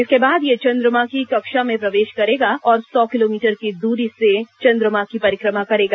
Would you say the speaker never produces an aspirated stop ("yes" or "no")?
yes